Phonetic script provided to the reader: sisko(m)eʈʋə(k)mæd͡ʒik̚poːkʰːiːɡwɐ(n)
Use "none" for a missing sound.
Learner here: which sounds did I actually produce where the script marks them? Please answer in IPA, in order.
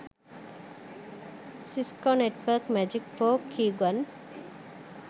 n, k, n

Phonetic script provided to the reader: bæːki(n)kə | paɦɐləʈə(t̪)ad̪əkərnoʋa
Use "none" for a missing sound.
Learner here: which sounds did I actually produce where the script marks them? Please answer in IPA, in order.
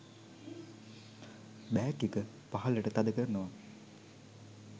none, t̪

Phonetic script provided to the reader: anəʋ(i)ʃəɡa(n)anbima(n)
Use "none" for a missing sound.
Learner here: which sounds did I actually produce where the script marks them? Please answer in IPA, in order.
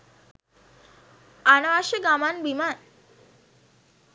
a, m, n

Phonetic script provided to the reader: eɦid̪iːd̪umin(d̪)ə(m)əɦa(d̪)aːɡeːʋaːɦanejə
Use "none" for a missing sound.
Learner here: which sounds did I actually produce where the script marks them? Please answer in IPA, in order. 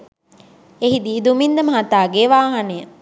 d̪, m, t̪

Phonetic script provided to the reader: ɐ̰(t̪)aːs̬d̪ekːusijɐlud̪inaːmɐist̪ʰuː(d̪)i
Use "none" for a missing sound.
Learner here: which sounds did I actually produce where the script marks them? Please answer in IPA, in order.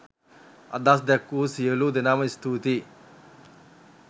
d̪, t̪

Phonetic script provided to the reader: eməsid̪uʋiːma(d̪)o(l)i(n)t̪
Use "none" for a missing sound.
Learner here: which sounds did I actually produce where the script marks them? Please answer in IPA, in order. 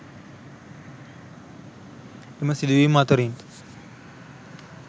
t̪, ɾ, n

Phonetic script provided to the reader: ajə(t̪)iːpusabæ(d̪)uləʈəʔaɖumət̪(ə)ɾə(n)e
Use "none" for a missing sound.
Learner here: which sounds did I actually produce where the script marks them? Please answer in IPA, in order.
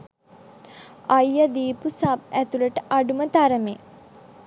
d̪, t̪, a, m

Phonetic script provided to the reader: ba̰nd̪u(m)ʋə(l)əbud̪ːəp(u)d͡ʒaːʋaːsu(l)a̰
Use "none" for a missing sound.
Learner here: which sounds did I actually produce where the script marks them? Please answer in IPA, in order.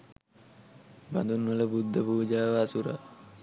n, l, uː, ɾ

